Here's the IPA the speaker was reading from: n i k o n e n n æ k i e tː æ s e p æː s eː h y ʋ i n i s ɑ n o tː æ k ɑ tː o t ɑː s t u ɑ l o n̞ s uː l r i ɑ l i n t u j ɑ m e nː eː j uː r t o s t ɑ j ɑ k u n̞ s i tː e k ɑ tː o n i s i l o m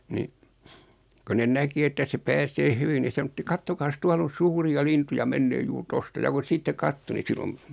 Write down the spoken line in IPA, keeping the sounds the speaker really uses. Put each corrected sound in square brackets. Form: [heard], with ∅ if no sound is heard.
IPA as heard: n i k o n e n n æ k i e tː æ s e p æː s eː h y ʋ i n i s ɑ n o tː [i] k ɑ tː o [k] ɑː s t u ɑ l o n̞ s uː [∅] r i ɑ l i n t u j ɑ m e nː eː j uː r t o s t ɑ j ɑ k u n̞ s i tː e k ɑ tː o n i s i l o m